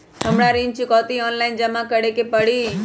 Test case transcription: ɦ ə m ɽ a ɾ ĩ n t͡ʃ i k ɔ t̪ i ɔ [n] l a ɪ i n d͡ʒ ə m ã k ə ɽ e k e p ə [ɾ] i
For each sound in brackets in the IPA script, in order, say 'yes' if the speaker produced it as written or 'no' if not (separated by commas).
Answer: yes, no